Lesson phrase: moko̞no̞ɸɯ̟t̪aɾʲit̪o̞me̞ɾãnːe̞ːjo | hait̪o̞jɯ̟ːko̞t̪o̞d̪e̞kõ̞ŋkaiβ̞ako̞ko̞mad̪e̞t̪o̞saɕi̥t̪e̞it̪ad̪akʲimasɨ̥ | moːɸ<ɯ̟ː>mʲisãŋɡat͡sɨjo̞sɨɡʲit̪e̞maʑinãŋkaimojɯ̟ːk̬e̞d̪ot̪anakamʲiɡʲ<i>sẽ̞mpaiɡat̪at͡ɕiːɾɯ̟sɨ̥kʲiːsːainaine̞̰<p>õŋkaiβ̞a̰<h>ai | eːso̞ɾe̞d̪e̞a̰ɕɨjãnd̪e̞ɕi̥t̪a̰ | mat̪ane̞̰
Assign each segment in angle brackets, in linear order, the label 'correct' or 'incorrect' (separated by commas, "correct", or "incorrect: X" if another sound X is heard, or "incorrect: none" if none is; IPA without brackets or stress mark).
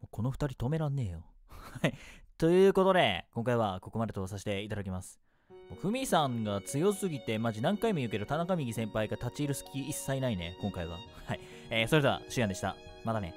incorrect: ɯ̟, correct, incorrect: k, correct